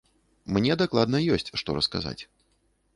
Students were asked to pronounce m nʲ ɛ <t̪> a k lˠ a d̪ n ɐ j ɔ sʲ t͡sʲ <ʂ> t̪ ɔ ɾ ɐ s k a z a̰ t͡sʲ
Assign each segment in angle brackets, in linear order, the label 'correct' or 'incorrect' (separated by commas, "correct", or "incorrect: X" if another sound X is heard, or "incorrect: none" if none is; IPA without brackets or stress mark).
incorrect: d̪, correct